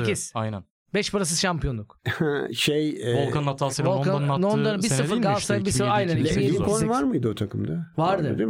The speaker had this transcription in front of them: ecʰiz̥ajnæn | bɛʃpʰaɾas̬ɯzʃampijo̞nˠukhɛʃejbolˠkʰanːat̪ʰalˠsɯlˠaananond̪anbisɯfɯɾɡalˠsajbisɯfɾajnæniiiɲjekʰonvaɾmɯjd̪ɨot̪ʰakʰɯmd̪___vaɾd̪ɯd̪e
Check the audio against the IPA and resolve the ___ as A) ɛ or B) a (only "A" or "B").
B